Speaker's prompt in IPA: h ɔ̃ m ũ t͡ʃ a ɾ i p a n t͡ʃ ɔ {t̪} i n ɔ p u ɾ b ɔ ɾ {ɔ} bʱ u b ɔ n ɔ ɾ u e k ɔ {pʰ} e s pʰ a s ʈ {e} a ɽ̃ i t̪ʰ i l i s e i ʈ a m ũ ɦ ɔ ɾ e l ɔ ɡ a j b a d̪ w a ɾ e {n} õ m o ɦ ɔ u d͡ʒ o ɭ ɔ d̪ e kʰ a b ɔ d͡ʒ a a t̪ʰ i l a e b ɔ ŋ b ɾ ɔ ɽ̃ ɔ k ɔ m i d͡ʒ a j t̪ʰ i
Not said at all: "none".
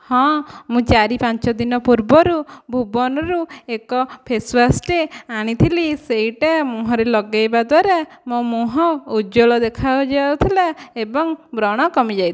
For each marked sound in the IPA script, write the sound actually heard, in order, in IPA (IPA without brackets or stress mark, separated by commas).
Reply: d̪, u, pʰ, e, m